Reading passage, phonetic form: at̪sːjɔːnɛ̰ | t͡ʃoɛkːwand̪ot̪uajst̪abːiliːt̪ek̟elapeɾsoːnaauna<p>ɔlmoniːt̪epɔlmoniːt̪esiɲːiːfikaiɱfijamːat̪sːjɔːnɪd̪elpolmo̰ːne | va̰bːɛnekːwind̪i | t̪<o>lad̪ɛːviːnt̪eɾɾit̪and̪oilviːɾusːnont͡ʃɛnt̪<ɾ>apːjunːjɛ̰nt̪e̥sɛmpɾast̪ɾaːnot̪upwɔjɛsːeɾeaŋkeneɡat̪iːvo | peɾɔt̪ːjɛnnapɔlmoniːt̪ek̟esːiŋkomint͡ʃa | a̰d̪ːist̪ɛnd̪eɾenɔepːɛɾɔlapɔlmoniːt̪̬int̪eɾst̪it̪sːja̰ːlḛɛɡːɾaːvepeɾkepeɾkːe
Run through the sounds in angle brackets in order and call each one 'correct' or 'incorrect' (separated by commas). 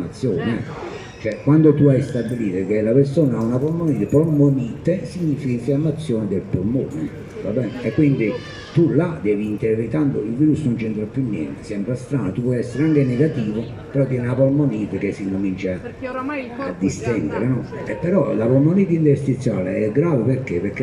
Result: correct, incorrect, correct